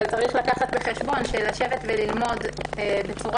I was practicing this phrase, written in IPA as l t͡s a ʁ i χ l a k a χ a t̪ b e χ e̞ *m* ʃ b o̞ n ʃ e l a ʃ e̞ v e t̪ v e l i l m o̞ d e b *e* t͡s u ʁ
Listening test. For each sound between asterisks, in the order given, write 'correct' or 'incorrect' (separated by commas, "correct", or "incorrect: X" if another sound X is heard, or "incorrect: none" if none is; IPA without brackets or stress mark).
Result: incorrect: none, correct